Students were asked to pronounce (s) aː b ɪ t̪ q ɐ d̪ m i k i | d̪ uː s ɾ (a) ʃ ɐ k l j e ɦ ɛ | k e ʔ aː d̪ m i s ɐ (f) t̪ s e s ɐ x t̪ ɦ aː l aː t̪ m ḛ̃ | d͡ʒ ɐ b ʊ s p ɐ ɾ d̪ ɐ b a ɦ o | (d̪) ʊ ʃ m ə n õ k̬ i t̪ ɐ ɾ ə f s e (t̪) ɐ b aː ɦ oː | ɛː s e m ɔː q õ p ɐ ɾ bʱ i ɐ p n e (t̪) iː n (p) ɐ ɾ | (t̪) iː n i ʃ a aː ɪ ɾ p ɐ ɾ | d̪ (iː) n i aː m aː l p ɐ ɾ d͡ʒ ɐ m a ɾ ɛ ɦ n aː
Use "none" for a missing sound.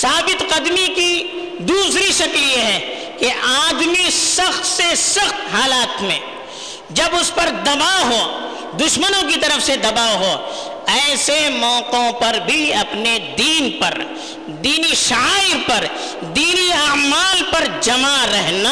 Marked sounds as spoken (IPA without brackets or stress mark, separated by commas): s, i, x, d̪, d̪, d̪, p, d̪, iː